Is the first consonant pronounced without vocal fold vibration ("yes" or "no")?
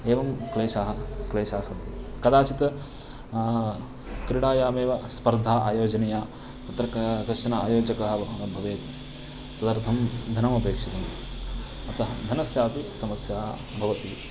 no